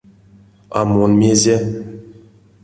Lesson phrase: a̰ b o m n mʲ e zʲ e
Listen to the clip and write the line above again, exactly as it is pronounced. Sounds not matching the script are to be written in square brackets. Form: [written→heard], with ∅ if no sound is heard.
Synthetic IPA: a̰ [b→m] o [m→∅] n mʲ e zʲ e